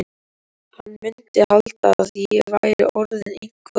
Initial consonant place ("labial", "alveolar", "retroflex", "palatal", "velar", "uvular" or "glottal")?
glottal